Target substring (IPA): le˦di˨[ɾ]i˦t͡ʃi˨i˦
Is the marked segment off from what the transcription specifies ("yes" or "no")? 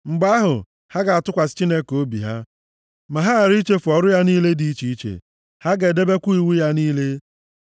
yes